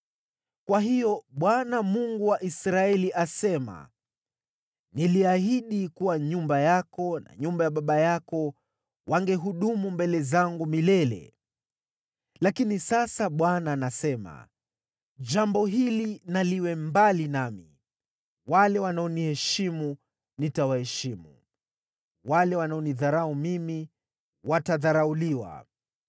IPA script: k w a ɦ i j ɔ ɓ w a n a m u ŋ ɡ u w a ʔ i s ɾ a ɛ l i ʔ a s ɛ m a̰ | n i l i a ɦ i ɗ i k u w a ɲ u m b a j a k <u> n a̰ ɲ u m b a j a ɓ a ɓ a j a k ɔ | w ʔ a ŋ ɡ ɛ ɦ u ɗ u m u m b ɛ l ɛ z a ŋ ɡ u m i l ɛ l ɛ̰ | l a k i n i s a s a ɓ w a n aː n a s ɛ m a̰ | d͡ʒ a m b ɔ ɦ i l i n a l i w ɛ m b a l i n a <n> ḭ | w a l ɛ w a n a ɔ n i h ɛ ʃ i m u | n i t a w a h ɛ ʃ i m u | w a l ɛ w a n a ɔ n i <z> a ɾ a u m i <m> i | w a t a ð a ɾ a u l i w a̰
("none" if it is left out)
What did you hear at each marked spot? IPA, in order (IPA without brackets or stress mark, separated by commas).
ɔ, m, ð, m